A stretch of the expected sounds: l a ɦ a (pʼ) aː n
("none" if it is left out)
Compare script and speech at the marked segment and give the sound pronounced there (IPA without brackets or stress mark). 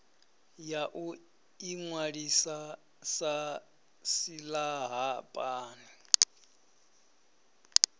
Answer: pʼ